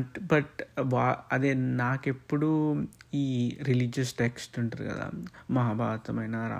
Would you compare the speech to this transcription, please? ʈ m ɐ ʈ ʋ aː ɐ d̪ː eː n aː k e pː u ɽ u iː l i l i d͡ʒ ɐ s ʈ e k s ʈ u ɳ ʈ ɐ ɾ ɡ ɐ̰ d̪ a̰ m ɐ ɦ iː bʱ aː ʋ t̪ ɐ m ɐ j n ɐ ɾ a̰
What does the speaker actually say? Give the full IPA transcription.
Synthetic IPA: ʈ b ɐ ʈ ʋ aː ɐ d̪ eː n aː k e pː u ɽ u iː ɾ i l i d͡ʒ ɐ s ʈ e k s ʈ u ɳ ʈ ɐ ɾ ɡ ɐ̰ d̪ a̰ m ɐ ɦ aː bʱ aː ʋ t̪ ɐ m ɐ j n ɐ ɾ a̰